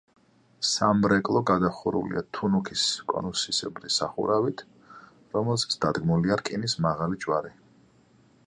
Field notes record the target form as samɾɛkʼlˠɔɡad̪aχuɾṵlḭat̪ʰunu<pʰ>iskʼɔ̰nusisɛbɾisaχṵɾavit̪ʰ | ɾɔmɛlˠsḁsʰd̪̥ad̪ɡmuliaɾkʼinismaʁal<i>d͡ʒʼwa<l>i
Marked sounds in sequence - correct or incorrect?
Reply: incorrect: kʰ, correct, incorrect: ɾ

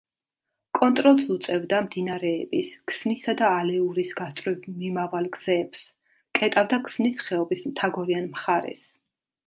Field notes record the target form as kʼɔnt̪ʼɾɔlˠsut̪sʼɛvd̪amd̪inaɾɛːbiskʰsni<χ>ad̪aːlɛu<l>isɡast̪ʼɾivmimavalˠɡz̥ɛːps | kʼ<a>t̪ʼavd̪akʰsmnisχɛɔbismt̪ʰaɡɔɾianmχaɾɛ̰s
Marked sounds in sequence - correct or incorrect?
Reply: incorrect: s, incorrect: ɾ, incorrect: ɛ

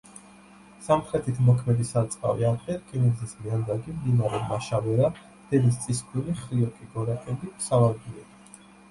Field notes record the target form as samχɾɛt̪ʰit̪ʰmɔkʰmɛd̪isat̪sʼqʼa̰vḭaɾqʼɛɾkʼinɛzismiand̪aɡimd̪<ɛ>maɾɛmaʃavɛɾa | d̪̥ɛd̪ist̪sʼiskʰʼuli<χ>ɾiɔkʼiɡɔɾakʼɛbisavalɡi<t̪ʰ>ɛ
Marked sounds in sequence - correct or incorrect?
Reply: incorrect: i, correct, incorrect: none

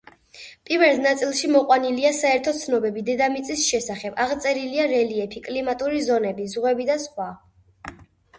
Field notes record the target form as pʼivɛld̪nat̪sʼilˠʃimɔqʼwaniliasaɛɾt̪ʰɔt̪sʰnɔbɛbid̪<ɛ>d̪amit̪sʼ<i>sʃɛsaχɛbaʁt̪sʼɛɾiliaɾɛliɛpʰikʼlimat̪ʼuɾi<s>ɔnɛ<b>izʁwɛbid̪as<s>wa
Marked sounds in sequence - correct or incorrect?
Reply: correct, correct, incorrect: z, correct, incorrect: χ

